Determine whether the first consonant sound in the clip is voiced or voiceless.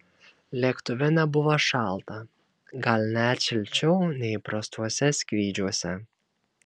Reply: voiced